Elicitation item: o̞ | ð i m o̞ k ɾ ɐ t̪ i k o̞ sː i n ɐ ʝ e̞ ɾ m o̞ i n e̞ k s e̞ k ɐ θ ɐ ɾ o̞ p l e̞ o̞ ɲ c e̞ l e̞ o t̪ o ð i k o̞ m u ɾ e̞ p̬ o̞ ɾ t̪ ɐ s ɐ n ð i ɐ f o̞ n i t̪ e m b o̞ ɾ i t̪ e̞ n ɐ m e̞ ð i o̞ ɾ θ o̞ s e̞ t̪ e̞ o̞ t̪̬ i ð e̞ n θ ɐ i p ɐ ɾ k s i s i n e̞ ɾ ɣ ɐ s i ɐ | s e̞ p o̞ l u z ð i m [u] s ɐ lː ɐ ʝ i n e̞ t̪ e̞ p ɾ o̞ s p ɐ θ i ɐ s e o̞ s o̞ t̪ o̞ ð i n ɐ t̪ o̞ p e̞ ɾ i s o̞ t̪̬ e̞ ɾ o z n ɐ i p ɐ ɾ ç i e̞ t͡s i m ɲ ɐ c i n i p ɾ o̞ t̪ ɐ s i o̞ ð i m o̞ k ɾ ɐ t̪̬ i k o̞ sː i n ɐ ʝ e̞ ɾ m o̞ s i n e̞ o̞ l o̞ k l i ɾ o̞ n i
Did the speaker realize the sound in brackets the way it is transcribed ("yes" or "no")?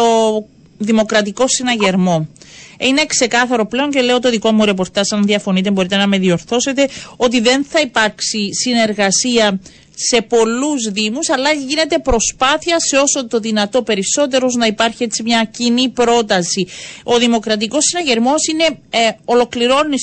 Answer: yes